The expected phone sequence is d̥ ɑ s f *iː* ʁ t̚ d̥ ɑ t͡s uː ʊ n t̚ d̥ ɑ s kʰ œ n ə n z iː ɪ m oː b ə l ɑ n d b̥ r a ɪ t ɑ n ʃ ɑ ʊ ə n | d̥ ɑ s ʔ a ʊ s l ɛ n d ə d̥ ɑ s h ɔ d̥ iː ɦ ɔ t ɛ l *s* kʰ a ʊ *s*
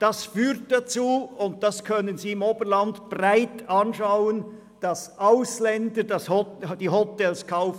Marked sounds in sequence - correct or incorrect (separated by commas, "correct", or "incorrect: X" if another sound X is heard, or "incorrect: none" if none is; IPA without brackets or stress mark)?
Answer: incorrect: yː, correct, incorrect: f